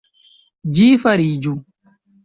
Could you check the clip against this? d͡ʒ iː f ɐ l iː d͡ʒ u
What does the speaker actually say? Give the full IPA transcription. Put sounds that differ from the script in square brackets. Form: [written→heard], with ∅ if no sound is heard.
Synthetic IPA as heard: d͡ʒ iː f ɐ [l→ɾ] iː d͡ʒ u